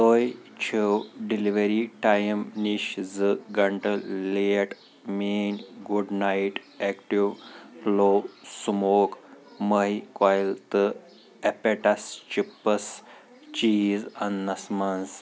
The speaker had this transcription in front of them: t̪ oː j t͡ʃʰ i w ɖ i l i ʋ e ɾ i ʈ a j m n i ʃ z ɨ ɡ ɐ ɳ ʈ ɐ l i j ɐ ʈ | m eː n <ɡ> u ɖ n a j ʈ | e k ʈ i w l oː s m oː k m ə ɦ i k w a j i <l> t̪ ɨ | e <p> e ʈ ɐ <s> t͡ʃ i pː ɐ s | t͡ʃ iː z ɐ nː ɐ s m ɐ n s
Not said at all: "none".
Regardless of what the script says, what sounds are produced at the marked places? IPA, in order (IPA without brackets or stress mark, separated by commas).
ɡ, l, p, s